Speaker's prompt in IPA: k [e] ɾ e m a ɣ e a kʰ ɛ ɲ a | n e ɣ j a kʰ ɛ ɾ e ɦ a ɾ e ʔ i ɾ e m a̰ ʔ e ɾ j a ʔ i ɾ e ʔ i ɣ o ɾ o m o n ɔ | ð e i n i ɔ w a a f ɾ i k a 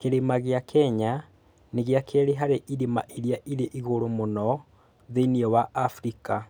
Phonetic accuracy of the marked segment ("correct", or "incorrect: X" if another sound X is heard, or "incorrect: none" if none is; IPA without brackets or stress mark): correct